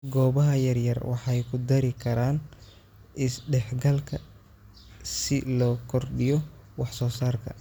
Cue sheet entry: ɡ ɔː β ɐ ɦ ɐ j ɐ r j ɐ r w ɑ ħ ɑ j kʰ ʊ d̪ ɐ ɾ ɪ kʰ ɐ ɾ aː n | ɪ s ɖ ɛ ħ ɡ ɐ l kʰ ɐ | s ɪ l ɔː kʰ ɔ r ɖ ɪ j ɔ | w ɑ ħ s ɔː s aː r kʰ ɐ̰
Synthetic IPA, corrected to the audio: ɡ ɔː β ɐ ɦ ɐ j ɐ r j ɐ r w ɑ ħ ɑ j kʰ ʊ d̪ ɐ ɾ ɪ kʰ ɐ ɾ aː n | ɪ s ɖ ɛ ħ ɡ ɐ l kʰ ɐ | s ɪ l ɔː kʰ ɔ r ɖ ɪ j ɔ | w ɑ ħ s ɔː s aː r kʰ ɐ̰